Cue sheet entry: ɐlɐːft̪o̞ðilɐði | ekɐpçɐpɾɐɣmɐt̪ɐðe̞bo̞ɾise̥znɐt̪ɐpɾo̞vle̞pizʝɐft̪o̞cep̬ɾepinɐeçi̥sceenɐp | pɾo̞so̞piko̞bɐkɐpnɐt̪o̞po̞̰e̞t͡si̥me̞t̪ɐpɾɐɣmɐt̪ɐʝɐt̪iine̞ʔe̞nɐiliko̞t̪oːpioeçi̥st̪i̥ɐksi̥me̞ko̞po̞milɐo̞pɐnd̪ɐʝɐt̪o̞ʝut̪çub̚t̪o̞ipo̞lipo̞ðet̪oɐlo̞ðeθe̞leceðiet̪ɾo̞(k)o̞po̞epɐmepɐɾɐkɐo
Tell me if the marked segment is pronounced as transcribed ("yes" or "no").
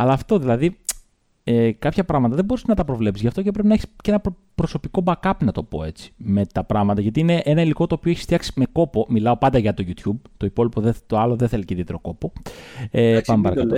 yes